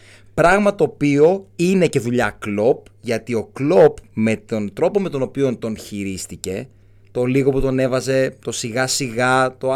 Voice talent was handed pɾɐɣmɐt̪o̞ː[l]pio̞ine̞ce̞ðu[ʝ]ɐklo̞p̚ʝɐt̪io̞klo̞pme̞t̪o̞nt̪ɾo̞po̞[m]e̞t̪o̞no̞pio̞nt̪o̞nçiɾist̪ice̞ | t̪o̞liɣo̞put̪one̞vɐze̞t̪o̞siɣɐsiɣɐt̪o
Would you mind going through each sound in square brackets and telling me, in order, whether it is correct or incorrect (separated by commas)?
incorrect, incorrect, correct